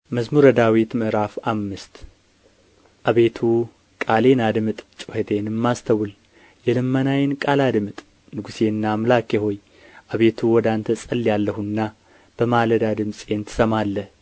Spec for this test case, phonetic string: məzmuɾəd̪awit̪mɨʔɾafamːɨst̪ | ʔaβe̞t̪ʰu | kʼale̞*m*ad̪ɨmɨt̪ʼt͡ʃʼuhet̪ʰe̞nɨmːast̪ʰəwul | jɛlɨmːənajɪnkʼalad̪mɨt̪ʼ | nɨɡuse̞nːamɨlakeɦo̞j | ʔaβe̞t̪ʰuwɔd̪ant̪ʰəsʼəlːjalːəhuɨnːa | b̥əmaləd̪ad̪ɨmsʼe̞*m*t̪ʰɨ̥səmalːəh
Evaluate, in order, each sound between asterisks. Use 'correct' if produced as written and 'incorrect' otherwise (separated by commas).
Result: incorrect, incorrect